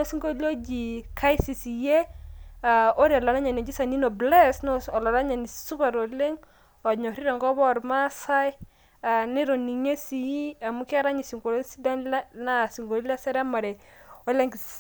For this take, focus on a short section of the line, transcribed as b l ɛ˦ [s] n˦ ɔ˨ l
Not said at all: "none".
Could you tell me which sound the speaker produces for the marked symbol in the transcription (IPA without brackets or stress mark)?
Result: s